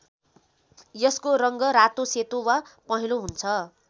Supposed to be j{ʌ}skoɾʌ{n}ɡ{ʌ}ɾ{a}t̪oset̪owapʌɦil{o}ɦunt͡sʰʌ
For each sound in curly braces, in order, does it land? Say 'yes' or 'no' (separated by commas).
yes, no, yes, yes, yes